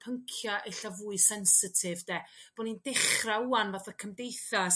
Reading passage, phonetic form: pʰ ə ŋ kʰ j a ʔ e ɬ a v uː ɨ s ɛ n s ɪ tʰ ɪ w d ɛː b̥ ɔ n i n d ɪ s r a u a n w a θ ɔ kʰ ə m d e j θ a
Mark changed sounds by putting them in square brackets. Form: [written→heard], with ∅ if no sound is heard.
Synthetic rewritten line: pʰ ə ŋ kʰ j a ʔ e ɬ a v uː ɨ s ɛ n s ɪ tʰ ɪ [w→v] d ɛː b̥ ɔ n i n d ɪ [s→χ] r a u a n [w→v] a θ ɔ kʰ ə m d e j θ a